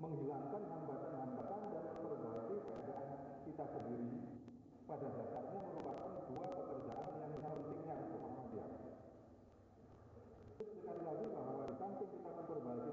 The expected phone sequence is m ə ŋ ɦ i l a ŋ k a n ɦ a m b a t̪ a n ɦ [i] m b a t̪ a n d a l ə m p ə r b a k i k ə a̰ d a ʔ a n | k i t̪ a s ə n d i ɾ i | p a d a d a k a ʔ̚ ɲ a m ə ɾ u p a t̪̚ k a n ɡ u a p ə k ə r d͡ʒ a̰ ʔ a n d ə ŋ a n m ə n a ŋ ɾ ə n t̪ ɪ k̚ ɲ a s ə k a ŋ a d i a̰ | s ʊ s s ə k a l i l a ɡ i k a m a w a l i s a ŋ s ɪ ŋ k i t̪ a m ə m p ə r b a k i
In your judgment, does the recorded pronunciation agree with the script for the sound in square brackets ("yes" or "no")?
no